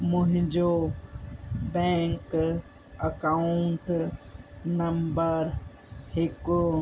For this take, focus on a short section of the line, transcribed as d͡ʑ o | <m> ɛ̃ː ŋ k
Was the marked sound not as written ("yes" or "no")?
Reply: yes